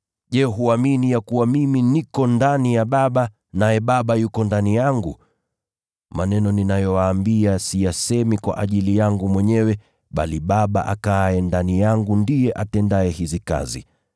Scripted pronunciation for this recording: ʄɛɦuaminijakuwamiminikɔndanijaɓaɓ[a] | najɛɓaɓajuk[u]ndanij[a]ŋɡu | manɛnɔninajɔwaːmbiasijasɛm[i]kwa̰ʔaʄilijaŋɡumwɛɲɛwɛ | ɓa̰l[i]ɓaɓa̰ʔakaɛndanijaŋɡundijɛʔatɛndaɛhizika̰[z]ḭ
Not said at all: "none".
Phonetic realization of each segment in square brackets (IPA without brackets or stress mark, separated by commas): a, ɔ, a, i, i, z